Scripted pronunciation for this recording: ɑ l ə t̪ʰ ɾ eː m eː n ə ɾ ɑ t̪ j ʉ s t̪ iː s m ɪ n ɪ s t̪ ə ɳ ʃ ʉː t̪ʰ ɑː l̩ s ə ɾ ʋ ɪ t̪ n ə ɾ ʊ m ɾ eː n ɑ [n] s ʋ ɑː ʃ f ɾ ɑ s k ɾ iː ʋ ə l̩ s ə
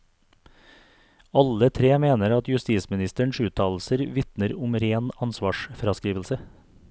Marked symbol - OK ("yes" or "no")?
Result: yes